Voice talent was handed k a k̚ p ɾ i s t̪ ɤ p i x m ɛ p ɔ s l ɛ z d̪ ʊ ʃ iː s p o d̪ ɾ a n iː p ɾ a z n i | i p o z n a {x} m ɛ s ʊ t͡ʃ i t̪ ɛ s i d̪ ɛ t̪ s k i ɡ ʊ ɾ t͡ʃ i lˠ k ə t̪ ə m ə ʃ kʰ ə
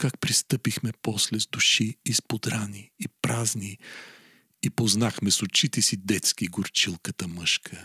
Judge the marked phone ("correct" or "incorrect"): correct